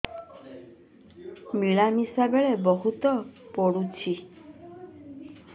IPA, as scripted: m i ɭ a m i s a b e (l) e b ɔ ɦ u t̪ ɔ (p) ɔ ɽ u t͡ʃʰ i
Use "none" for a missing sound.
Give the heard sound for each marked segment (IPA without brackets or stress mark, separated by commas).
ɭ, p